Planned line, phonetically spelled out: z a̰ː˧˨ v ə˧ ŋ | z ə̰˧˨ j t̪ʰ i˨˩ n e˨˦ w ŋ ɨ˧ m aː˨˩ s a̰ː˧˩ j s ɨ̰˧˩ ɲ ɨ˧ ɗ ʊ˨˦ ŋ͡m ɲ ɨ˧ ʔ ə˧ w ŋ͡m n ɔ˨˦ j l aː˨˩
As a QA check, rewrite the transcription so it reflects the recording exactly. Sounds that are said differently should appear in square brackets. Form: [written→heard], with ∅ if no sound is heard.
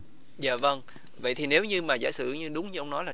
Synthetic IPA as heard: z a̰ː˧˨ v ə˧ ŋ | [z→v] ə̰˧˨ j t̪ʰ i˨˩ n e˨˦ w [ŋ→ɲ] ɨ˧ m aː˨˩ [s→z] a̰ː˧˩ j s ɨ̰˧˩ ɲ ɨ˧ ɗ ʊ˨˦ ŋ͡m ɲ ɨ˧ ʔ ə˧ w ŋ͡m n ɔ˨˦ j l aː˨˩